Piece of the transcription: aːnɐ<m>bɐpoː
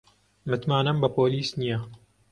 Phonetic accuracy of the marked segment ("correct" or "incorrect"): correct